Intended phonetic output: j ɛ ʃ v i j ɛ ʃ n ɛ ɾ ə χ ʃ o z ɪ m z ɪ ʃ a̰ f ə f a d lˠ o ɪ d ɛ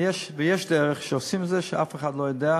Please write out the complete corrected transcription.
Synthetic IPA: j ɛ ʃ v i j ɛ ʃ d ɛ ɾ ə χ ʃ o s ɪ m z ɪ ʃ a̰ f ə χ a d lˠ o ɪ d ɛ

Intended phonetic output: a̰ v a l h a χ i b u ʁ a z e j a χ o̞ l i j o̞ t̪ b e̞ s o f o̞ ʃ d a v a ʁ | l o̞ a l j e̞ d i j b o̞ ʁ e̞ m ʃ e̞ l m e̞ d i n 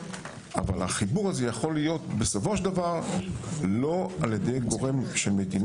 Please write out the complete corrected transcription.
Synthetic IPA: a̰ v a l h a χ i b u ʁ a z e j a χ o̞ l i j o̞ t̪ b e̞ s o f o̞ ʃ d a v a ʁ | l o̞ a l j e̞ d e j ɡ o̞ ʁ e̞ m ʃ e̞ l m e̞ d i n

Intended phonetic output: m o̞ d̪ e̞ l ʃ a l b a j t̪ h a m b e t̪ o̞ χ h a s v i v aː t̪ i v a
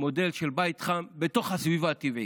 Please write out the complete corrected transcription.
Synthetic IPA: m o̞ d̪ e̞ l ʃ e l b a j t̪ χ a m b e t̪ o̞ χ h a s v i v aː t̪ i v i

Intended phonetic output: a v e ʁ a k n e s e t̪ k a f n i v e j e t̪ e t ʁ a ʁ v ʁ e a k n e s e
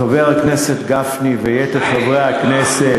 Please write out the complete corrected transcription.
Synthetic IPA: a v e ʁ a k n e s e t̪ ɡ a f n i v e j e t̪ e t χ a v ʁ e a k n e s e

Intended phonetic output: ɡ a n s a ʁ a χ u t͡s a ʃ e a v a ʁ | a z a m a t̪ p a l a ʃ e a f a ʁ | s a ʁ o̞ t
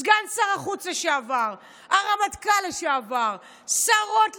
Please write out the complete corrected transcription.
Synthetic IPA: ɡ a n s a ʁ a χ u t͡s a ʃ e a v a ʁ | a ʁ a m a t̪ k a l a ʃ e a v a ʁ | s a ʁ o̞ t

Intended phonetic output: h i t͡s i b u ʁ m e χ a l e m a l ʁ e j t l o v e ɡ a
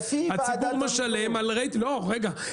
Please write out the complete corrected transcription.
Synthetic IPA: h a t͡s i b u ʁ m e ʃ a l e m a l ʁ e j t l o ʁ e ɡ a

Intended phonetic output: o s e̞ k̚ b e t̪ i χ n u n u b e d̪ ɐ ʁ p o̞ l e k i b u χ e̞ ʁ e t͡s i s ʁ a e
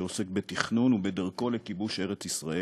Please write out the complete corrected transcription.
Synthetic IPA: o s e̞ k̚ b e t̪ i χ n u n u b e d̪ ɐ ʁ k o̞ l e k i b u ʃ e̞ ʁ e t͡s i s ʁ a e

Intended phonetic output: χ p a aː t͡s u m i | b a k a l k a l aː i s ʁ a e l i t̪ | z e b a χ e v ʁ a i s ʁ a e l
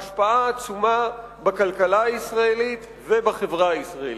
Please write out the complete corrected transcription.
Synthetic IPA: ʃ p a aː t͡s u m a | b a k a l k a l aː i s ʁ a e l i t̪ | v e b a χ e v ʁ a i s ʁ a e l

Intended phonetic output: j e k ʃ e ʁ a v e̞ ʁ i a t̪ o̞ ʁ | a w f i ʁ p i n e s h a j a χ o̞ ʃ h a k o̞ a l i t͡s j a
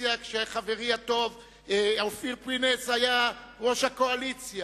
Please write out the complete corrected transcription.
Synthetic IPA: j a k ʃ e χ a v e̞ ʁ i a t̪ o̞ v | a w f i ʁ p i n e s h a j a ʁ o̞ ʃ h a k o̞ a l i t͡s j a

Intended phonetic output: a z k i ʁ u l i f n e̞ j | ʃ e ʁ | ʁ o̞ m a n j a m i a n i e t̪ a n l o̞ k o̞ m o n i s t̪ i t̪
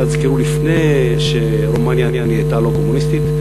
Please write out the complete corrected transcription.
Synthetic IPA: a z k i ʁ u l i f n e̞ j | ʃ e | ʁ o̞ m a n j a n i a n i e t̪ a l o̞ k o̞ m u n i s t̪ i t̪

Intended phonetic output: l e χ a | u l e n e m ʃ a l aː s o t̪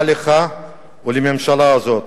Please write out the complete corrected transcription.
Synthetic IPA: l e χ a | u l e m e m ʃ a l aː z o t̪

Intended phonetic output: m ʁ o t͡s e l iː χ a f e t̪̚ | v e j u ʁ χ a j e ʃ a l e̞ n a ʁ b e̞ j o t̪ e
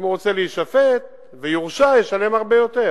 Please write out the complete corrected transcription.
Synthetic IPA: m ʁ o t͡s e l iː ʃ a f e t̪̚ | v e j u ʁ ʃ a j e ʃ a l e̞ m a ʁ b e̞ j o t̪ e

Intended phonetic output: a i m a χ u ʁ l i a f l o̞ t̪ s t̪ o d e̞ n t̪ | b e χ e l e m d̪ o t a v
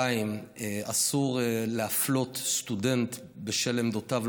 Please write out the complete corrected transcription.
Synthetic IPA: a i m a s u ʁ l e a f l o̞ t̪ s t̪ u d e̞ n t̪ | b e ʃ e l e m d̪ o t a v

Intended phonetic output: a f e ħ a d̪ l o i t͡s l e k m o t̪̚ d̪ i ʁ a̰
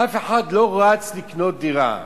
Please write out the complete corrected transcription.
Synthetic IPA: a f e ħ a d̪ l o a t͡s l i k n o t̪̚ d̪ i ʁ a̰

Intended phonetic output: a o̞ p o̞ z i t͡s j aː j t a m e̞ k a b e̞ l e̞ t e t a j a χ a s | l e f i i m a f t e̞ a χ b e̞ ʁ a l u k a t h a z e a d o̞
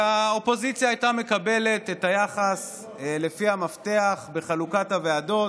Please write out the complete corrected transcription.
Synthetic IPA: a o̞ p o̞ z i t͡s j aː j t a m e̞ k a b e̞ l e̞ t e t a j a χ a s | l e f i a m a f t e̞ a χ b e̞ χ a l u k a t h a v e a d o̞

